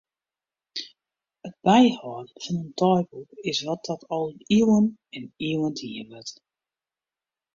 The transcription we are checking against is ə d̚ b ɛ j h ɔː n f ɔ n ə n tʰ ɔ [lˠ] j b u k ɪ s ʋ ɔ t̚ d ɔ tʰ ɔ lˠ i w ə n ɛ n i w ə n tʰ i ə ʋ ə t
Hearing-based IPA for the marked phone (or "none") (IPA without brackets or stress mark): none